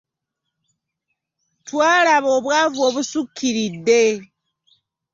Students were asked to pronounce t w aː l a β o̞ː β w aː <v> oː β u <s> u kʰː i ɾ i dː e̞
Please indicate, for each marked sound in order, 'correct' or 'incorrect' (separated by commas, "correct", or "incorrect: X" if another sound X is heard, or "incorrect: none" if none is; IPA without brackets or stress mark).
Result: correct, correct